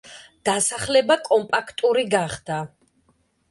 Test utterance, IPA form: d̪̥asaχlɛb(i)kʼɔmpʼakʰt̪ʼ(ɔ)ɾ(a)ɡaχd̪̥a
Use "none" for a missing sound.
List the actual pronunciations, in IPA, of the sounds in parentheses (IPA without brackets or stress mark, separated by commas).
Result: a, u, i